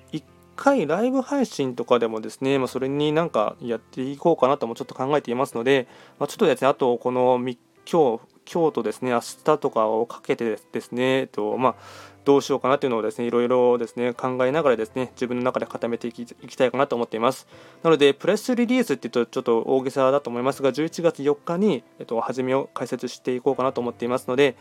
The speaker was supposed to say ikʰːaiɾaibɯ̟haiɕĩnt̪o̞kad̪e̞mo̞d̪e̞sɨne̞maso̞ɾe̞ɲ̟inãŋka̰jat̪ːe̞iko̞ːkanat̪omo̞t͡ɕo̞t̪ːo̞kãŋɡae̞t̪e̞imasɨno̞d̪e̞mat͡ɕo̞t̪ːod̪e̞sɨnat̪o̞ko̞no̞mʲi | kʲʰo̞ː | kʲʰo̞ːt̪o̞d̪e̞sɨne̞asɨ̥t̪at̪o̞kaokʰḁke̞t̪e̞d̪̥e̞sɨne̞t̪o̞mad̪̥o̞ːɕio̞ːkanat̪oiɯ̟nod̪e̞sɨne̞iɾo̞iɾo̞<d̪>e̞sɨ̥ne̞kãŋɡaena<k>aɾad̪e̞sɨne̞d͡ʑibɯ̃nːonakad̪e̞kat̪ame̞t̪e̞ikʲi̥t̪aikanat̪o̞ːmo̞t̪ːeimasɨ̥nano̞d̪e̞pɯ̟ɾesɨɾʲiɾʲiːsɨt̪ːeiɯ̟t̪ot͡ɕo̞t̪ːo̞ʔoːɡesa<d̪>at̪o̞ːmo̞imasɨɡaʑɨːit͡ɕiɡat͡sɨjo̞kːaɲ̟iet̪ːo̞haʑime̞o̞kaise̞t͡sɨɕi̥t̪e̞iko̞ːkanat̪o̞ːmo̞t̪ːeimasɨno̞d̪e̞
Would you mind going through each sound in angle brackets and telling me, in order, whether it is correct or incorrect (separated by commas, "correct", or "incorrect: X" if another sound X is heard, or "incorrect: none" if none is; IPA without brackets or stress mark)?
correct, incorrect: ɡ, correct